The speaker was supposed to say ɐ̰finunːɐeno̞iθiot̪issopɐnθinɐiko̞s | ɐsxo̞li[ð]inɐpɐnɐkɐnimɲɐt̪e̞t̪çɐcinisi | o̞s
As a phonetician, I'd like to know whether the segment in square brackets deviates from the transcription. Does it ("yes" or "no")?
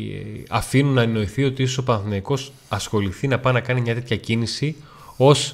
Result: yes